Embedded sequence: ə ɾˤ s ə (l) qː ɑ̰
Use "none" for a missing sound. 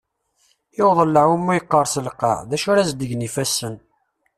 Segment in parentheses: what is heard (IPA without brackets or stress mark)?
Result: l